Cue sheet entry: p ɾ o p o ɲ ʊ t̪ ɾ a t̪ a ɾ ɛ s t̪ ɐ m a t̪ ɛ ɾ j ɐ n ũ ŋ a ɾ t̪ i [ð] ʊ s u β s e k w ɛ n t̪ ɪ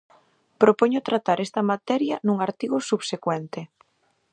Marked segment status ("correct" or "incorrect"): incorrect